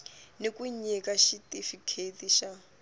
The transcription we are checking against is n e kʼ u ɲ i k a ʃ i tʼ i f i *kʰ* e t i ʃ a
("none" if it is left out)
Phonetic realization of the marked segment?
kʰ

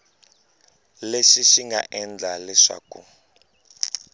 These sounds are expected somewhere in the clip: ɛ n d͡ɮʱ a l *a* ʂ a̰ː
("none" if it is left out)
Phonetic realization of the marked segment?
ɛ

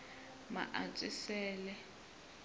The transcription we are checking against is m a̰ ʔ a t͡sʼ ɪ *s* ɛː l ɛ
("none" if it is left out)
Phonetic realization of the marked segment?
s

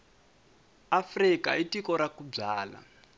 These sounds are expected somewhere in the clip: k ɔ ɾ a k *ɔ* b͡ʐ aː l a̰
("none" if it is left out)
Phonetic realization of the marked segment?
u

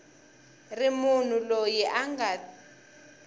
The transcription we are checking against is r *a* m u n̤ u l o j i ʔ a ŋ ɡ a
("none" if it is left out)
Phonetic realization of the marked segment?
i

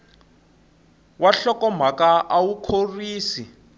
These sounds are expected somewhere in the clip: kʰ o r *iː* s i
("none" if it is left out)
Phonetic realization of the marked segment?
iː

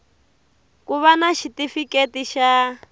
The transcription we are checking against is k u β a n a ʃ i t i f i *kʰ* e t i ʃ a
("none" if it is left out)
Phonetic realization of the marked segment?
k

